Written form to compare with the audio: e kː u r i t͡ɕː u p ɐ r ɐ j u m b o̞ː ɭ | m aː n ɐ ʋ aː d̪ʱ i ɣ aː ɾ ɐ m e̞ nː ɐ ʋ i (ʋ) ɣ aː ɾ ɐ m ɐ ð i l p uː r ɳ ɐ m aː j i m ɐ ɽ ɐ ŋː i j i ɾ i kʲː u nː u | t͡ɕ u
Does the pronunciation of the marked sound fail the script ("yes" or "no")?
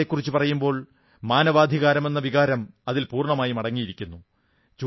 yes